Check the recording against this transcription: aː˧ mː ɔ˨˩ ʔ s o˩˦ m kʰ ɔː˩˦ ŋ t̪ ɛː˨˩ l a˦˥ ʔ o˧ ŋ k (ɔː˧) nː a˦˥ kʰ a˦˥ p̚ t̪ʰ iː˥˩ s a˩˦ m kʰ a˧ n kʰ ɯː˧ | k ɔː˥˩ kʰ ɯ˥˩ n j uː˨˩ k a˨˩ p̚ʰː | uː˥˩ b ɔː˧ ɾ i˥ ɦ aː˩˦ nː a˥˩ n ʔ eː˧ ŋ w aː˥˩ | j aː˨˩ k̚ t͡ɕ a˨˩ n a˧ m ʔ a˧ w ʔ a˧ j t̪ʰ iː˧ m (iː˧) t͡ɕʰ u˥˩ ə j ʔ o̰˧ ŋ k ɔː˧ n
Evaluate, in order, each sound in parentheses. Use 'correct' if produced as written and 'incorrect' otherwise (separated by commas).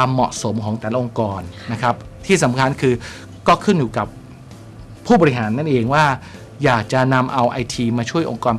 correct, incorrect